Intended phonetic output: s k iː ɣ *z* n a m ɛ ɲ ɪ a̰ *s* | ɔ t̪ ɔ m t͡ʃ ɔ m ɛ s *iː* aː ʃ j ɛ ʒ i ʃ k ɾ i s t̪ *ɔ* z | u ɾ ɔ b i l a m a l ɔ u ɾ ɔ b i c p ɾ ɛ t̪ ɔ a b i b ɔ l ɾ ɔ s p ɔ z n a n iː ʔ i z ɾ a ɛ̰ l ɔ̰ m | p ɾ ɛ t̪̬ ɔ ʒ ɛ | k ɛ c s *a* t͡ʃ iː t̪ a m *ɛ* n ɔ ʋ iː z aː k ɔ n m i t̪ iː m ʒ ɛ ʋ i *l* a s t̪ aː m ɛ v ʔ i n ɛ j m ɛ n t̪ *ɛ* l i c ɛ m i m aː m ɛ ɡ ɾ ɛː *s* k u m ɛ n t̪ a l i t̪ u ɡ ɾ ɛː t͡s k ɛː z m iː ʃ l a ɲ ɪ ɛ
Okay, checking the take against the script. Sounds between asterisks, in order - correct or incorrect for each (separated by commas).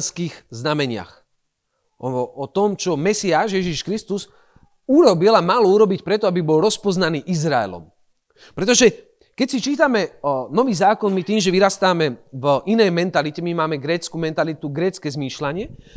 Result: correct, incorrect, incorrect, incorrect, incorrect, correct, incorrect, incorrect, incorrect